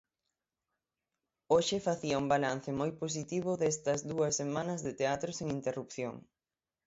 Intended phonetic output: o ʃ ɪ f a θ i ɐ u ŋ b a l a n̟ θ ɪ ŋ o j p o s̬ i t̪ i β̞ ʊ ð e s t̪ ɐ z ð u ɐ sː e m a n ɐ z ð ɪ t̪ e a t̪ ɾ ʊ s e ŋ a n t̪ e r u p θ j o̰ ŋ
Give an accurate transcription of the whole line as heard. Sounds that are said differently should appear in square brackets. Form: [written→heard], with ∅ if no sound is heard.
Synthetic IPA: o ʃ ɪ f a θ i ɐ u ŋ b a l a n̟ θ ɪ [ŋ→m] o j p o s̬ i t̪ i β̞ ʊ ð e s t̪ ɐ z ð u ɐ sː e m a n ɐ z ð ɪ t̪ e a t̪ ɾ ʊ s e ŋ [a→i] n t̪ e r u p θ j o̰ ŋ